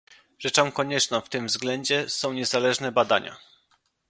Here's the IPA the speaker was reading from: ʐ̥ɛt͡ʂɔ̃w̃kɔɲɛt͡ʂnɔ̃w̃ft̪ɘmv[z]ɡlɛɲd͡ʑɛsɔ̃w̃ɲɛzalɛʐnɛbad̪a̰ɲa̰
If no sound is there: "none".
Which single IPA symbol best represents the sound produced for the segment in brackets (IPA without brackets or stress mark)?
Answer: z